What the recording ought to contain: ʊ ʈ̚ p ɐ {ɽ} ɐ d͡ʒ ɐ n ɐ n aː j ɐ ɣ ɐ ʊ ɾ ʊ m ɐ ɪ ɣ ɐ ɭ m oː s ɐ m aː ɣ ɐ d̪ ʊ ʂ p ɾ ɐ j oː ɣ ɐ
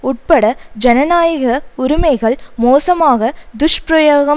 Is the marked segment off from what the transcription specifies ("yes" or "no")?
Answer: no